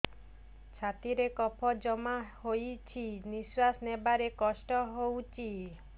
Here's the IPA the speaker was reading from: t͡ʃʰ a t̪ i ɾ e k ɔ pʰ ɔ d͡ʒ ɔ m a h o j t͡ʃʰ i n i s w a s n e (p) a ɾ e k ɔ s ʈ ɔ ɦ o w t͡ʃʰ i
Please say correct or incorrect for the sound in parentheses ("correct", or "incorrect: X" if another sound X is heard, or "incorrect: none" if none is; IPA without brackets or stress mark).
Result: incorrect: b